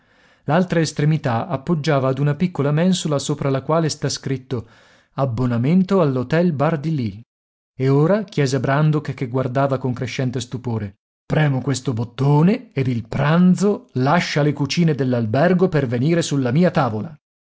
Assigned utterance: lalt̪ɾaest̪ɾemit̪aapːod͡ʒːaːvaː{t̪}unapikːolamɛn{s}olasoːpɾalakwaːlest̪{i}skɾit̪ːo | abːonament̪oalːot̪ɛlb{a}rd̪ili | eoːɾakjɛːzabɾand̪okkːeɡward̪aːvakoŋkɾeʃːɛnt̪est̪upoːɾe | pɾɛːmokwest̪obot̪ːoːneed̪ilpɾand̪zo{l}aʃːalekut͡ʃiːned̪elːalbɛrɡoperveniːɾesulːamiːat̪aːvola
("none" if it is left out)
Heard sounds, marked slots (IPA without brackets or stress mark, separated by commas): d̪, s, a, a, l